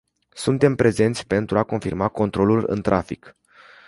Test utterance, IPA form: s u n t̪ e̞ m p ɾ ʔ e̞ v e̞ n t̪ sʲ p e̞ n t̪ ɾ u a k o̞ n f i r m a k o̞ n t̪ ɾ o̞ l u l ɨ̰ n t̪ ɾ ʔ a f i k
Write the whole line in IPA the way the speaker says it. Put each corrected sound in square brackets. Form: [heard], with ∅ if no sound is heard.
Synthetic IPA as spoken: s u n t̪ e̞ m p ɾ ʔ e̞ [z] e̞ n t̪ sʲ p e̞ n t̪ ɾ u a k o̞ n f i r m a k o̞ n t̪ ɾ o̞ l u l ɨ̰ n t̪ ɾ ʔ a f i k